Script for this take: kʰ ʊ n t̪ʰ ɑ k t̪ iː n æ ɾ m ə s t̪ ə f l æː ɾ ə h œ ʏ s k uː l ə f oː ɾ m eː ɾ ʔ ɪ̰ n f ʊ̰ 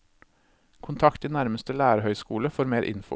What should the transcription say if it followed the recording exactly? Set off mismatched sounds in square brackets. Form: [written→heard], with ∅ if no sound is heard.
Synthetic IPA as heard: kʰ ʊ n t̪ʰ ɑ k t̪ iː n æ ɾ m ə s t̪ ə [f→∅] l æː ɾ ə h œ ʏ s k uː l ə f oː ɾ m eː ɾ ʔ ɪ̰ n f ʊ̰